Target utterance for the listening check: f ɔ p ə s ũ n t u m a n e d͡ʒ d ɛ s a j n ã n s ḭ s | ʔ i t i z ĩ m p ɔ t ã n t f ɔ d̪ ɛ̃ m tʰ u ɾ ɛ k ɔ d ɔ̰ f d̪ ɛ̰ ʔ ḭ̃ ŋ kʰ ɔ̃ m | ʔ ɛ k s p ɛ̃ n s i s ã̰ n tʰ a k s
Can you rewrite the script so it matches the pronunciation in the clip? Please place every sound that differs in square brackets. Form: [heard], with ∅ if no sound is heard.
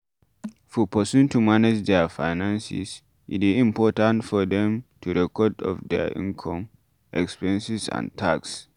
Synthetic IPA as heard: f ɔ p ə s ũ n t u m a n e d͡ʒ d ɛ [f] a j n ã n s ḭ s | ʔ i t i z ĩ m p ɔ t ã n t f ɔ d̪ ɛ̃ m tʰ u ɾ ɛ k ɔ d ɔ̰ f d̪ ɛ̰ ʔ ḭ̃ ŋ kʰ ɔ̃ m | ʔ ɛ k s p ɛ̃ n s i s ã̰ n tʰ a k s